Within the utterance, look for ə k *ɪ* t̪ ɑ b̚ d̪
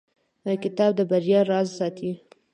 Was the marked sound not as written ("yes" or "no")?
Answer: no